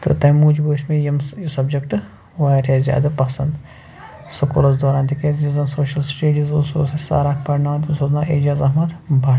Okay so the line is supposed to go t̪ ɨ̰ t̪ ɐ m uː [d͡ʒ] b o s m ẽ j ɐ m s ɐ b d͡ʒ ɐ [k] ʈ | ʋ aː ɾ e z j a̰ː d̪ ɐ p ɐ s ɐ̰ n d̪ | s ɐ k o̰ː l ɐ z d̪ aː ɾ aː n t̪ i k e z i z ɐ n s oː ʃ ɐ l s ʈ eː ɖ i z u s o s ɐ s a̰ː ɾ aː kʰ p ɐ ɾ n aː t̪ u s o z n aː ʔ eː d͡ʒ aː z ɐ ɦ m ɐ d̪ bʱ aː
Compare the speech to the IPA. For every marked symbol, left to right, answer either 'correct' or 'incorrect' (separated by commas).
correct, correct